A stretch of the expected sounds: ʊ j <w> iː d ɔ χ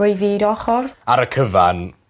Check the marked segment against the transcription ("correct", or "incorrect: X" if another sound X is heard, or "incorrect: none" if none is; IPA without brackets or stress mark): incorrect: v